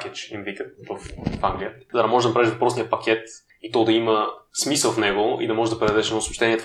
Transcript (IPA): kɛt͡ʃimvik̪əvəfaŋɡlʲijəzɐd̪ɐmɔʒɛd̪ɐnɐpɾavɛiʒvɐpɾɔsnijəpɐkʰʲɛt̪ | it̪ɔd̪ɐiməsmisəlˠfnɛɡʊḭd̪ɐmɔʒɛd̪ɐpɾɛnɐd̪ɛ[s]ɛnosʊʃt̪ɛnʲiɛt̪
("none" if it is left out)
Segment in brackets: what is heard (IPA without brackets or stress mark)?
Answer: ʃ